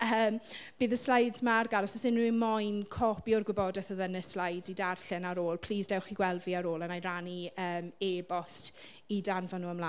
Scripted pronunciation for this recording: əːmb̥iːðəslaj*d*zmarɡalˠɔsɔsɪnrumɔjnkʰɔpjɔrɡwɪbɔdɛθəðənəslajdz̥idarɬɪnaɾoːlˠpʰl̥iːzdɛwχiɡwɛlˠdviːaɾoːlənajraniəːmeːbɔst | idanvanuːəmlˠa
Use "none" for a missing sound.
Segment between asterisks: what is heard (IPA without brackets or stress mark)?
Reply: d